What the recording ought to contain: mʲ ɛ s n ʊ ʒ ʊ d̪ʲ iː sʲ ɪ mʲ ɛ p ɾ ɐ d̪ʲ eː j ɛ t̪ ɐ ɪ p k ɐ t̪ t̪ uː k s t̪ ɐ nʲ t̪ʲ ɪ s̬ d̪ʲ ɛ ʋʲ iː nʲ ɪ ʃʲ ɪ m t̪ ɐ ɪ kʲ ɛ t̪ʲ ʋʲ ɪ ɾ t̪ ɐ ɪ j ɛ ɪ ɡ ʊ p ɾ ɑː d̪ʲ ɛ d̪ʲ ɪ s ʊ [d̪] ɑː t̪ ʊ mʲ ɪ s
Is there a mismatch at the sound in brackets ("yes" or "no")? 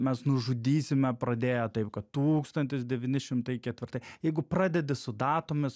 no